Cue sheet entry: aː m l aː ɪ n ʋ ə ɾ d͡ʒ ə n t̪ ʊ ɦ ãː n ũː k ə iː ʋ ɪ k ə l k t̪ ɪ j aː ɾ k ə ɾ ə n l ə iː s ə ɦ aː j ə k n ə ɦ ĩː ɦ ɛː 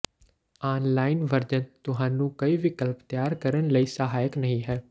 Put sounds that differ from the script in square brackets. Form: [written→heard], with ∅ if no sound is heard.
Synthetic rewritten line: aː [m→n] l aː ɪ n ʋ ə ɾ d͡ʒ ə n t̪ ʊ ɦ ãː n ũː k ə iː ʋ ɪ k ə l [k→p] t̪ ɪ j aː ɾ k ə ɾ ə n l ə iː s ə ɦ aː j ə k n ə ɦ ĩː ɦ ɛː